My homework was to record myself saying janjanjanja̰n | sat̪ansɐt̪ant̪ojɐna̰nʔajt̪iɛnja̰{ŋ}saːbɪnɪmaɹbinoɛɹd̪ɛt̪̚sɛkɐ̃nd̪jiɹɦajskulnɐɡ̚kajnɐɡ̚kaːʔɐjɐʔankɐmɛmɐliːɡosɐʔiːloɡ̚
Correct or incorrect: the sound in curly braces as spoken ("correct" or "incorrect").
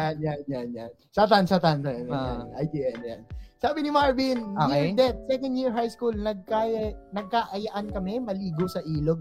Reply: incorrect